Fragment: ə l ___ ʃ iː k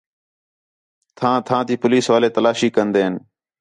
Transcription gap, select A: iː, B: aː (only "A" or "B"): B